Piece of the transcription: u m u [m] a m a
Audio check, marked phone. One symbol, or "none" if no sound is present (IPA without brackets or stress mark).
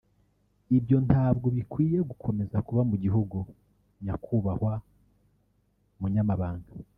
ɲ